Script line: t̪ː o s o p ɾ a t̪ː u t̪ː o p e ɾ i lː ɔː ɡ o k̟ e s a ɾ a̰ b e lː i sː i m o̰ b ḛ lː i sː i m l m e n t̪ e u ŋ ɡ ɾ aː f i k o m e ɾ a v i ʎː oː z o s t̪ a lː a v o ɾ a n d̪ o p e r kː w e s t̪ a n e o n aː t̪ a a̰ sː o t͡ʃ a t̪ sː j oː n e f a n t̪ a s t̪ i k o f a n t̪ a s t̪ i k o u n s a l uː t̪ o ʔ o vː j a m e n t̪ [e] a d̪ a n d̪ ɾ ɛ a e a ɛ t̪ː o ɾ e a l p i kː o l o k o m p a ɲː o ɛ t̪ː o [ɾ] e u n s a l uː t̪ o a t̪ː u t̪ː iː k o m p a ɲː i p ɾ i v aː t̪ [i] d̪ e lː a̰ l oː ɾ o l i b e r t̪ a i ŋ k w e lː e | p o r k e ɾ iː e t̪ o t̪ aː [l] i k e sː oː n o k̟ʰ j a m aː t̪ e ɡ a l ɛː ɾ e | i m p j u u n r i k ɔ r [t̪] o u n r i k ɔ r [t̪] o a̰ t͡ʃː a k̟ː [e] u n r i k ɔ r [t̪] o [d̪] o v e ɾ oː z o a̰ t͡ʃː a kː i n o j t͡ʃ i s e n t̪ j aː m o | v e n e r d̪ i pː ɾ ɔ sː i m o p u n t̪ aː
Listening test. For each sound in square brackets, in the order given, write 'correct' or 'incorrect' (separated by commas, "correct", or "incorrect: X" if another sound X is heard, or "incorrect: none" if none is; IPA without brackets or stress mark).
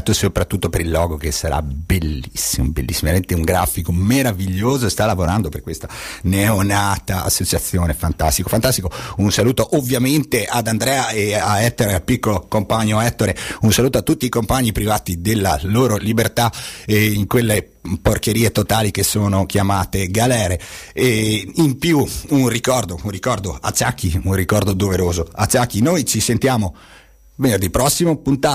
correct, correct, correct, correct, incorrect: d̪, incorrect: d̪, incorrect: i, incorrect: d̪, correct